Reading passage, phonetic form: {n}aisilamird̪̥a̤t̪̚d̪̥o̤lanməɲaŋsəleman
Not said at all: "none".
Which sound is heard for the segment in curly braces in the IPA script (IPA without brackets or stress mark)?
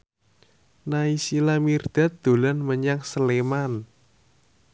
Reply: n